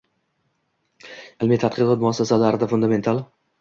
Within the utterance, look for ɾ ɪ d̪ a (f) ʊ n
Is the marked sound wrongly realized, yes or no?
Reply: no